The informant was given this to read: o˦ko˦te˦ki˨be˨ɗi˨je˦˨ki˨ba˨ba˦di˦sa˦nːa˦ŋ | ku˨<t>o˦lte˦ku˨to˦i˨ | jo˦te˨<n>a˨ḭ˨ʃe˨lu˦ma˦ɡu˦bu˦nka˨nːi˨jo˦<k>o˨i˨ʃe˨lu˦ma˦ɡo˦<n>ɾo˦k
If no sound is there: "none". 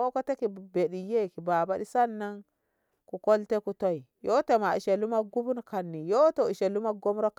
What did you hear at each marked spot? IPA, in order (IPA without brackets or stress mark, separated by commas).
k, m, t, m